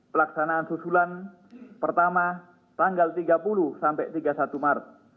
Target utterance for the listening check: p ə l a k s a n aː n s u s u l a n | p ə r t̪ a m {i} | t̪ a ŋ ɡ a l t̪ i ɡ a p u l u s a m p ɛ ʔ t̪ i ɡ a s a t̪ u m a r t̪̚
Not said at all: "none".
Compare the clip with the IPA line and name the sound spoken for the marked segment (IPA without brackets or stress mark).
a